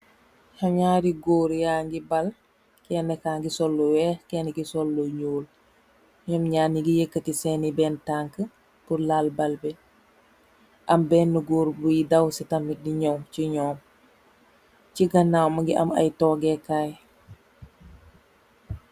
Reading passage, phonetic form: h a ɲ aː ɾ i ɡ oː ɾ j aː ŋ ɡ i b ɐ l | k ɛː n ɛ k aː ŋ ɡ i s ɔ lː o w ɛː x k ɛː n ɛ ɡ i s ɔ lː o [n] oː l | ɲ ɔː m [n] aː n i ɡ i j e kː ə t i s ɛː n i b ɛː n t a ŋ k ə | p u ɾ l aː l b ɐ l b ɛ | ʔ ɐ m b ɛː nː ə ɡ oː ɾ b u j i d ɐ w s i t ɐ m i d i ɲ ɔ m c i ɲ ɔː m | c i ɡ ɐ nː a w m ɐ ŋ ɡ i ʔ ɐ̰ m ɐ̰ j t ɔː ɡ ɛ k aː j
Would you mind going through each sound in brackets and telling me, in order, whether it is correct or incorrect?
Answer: incorrect: ɲ, incorrect: ɲ

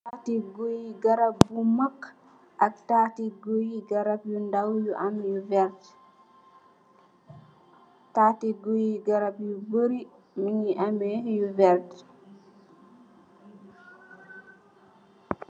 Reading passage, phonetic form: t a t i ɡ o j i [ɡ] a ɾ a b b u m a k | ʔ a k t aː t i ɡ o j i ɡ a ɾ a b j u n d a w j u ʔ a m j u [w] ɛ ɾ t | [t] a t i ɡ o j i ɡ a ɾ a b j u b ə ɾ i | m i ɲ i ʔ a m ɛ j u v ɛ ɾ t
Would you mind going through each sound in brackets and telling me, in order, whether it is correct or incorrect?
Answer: correct, incorrect: v, correct

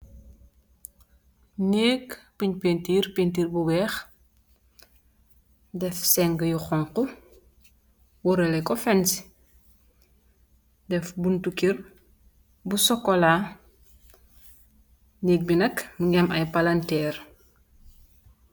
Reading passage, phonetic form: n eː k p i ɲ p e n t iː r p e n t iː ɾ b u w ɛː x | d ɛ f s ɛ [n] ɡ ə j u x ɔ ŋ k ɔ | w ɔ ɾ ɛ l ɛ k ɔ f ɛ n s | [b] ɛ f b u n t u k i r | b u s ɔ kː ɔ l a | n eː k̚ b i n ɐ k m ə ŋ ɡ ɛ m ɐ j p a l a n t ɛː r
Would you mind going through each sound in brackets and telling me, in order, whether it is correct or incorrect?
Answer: incorrect: ŋ, incorrect: d

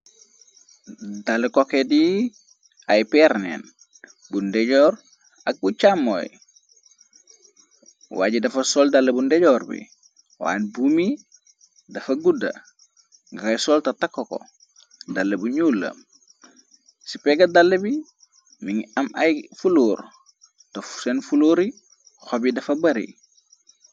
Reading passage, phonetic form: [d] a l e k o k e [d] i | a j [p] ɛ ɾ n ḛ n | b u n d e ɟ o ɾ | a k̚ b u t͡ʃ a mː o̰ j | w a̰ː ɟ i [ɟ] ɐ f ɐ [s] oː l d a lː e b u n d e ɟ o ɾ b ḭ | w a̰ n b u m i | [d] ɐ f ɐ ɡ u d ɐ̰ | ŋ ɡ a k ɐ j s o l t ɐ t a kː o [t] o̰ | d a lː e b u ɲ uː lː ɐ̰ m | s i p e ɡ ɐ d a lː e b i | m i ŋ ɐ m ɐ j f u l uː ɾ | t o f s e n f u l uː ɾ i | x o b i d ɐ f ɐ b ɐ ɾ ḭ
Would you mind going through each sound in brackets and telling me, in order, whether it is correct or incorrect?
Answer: correct, correct, correct, incorrect: d, correct, correct, incorrect: k

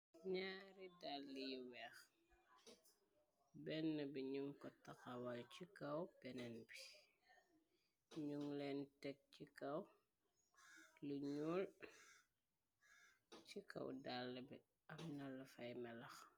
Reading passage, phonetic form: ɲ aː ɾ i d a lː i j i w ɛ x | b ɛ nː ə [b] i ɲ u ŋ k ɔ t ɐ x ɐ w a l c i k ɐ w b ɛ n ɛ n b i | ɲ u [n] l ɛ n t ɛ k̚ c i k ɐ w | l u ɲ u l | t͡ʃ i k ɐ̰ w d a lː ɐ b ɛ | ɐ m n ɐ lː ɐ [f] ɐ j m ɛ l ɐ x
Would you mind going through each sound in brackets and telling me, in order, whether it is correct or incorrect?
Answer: correct, incorrect: ŋ, correct

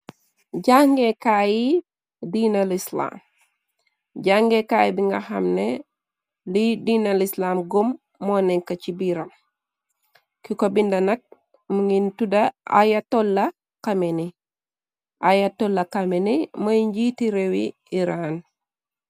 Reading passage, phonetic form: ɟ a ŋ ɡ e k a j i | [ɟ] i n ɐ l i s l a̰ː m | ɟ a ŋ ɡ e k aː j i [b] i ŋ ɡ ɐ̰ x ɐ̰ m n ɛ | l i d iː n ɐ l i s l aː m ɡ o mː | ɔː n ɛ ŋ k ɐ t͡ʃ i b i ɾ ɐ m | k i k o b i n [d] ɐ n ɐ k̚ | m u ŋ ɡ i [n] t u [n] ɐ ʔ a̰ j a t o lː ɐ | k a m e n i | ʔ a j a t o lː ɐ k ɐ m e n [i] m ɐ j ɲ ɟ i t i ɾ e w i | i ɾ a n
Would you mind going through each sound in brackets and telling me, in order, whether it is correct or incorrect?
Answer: incorrect: d, correct, correct, correct, incorrect: d, correct

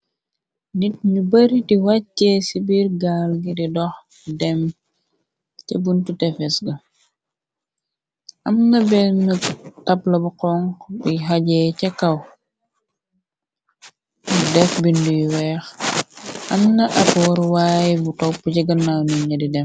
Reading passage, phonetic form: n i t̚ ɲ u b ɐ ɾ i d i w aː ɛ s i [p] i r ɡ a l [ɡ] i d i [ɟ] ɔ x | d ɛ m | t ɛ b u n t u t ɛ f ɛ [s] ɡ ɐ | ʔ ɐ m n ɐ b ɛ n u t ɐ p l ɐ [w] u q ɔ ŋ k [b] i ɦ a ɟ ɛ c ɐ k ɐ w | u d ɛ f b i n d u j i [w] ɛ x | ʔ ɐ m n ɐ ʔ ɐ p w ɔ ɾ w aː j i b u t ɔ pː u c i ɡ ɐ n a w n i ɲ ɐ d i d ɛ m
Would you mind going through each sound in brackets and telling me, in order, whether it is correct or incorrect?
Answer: incorrect: b, correct, incorrect: d, correct, incorrect: b, correct, correct

